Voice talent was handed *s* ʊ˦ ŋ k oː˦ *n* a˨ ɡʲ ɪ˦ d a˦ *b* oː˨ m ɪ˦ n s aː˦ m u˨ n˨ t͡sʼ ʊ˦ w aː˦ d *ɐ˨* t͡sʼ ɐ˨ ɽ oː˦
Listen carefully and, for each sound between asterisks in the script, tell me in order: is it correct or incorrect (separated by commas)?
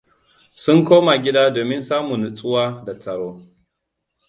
correct, incorrect, incorrect, incorrect